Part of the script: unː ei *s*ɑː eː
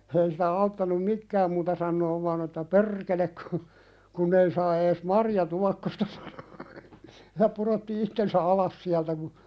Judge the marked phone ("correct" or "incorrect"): correct